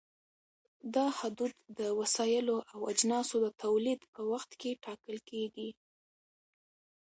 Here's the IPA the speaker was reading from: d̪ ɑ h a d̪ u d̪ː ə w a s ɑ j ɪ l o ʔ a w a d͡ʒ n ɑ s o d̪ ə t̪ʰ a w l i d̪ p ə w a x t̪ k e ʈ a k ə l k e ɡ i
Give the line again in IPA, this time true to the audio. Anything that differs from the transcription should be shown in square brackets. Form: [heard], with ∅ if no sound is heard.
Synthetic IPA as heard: d̪ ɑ h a d̪ u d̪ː ə w a s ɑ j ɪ l o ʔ a w a d͡ʒ n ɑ s o d̪ ə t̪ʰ a w l i d̪ p ə w a x t̪ k e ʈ [ɑ] k ə l k e ɡ i

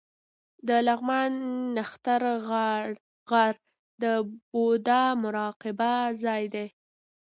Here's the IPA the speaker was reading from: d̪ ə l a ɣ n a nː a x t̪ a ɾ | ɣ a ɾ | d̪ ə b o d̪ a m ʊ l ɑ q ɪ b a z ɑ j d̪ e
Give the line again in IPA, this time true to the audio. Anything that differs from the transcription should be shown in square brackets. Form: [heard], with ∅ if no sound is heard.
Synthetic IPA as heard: d̪ ə l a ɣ [m] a nː a x t̪ a ɾ | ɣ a ɾ | d̪ ə b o d̪ a m ʊ [ɾ] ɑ q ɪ b a z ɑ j d̪ e

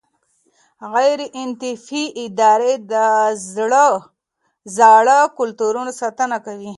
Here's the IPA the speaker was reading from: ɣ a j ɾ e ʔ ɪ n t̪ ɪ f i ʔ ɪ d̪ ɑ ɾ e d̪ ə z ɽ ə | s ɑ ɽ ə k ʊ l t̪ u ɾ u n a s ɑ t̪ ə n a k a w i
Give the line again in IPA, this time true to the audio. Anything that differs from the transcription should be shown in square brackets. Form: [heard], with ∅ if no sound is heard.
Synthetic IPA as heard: ɣ a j ɾ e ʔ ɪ n t̪ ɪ f i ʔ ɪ d̪ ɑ ɾ e d̪ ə z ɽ ə | [z] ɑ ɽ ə k ʊ l t̪ u ɾ u n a s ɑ t̪ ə n a k a w i

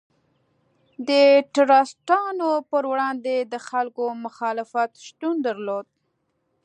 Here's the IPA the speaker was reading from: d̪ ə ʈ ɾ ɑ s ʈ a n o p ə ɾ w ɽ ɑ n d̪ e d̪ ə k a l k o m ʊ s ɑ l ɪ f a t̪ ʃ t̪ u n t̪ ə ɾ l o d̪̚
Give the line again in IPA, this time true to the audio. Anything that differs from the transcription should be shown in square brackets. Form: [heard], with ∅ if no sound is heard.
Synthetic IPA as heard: d̪ ə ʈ ɾ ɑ s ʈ [ɑ] n o p ə ɾ w ɽ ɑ n d̪ e d̪ ə [x] a l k o m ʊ [x] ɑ l ɪ f a t̪ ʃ t̪ u n [d̪] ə ɾ l o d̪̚

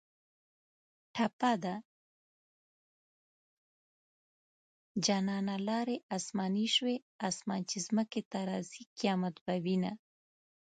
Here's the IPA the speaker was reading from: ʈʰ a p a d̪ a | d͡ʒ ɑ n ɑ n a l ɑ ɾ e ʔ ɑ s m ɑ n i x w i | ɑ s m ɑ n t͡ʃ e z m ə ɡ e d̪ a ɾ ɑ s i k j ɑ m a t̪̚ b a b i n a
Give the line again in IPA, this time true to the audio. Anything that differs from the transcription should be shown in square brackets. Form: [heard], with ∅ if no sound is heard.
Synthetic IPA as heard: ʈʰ a p a d̪ a | d͡ʒ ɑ n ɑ n a l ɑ ɾ e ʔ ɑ s m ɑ n i [ʃ] w [e] | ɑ s m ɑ n t͡ʃ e z m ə [k] e [t̪] a ɾ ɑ [z] i k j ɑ m a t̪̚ b a [w] i n a

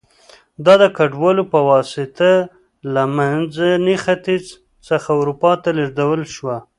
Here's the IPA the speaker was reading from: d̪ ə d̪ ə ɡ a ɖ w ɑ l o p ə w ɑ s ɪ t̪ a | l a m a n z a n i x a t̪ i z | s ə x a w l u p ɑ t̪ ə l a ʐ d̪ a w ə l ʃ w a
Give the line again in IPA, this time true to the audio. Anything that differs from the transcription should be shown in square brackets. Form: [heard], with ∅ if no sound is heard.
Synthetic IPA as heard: d̪ [ɑ] d̪ ə [k] a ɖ w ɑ l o p ə w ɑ s ɪ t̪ a | l a m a n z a n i x a t̪ i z | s ə x a w [ɾ] u p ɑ t̪ [a] l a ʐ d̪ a w ə l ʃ w a

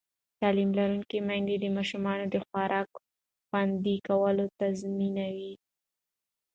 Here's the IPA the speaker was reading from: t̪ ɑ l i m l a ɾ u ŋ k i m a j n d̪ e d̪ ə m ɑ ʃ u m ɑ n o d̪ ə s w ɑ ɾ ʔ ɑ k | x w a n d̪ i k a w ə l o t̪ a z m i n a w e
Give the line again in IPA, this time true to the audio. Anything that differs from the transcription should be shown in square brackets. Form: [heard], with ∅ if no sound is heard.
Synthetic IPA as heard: t̪ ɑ l i m l a ɾ u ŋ k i m a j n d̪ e d̪ ə m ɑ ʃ u m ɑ n o d̪ ə [x] w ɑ ɾ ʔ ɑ k | x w a n d̪ i k a w ə l o t̪ a z m i n a w [i]

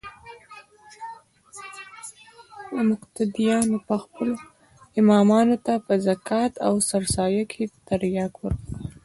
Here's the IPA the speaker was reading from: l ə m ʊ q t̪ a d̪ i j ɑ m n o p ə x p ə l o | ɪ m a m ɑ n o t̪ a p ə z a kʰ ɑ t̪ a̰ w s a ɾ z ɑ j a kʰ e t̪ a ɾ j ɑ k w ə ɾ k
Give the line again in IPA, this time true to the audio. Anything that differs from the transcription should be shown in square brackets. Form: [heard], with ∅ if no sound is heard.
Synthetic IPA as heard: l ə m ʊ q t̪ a d̪ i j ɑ [∅] n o p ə x p ə l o | ɪ m [ɑ] m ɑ n o t̪ a p ə z a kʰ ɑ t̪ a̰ w s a ɾ [s] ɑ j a kʰ e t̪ a ɾ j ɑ k w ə ɾ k

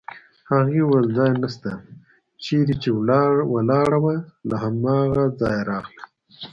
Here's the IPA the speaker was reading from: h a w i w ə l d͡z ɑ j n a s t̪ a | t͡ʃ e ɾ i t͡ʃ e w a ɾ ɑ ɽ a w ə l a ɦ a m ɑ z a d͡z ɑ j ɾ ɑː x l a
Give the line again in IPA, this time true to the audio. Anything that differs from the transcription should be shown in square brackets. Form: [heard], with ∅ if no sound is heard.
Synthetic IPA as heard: h a [ɣ] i w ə l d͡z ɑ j n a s t̪ a | t͡ʃ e ɾ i t͡ʃ e w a [l] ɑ ɽ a w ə l a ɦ a m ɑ [ɣ] a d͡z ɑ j ɾ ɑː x l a

